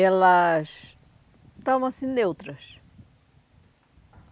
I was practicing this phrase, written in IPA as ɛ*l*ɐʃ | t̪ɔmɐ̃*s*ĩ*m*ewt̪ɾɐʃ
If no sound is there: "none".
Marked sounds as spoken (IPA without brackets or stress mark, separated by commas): l, s, n